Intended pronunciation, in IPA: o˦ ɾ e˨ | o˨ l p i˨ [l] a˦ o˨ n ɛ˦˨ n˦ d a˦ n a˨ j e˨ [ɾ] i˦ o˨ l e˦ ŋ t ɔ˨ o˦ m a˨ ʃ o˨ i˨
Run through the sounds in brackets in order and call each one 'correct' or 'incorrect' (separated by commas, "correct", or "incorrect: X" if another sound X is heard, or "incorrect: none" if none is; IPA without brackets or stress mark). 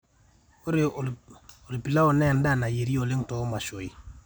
correct, correct